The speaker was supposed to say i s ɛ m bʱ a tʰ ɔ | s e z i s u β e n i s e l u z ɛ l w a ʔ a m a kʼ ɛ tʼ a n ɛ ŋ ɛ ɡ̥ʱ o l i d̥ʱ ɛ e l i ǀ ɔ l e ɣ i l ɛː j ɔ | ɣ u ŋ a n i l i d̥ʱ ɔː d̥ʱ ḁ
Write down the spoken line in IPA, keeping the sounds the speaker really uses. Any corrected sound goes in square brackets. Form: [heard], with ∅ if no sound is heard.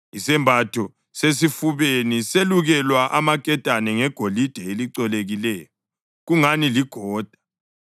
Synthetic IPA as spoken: i s ɛ m bʱ a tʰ ɔ | s e [s] i [f] u β e n i s e l u [ɣ] ɛ l w a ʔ a m a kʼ ɛ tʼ a n ɛ ŋ ɛ ɡ̥ʱ o l i d̥ʱ ɛ e l i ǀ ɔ l e ɣ i l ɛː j ɔ | ɣ u ŋ a n i l i [ɡ̥ʱ] ɔː d̥ʱ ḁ